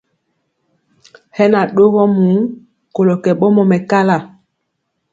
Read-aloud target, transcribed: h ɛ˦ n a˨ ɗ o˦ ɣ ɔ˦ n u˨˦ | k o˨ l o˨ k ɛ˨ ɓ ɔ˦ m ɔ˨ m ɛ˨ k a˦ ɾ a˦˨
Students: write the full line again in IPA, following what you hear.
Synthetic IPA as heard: h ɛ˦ n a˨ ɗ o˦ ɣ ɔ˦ m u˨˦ | k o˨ l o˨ k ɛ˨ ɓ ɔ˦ m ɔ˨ m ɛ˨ k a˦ l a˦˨

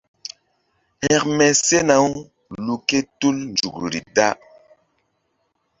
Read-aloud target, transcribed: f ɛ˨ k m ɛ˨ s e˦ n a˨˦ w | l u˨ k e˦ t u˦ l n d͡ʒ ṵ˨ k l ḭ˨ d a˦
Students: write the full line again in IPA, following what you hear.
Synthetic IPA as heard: h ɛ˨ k m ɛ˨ s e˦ n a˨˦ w | l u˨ k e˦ t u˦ l n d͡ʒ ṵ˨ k ɾ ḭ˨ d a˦

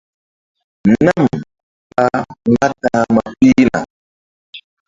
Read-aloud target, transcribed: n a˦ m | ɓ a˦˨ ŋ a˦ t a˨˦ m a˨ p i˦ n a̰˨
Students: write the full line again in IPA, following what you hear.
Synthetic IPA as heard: n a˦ m | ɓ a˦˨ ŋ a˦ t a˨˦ m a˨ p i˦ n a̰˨

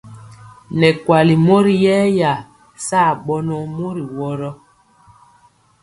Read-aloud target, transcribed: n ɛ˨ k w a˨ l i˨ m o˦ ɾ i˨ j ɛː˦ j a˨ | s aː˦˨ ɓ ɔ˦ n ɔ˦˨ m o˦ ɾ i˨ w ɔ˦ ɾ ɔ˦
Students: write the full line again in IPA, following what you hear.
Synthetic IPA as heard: n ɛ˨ k w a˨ l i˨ m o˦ ɾ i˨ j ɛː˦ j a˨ | s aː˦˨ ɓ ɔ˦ n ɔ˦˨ m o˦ ɾ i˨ w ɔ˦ ɾ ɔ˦

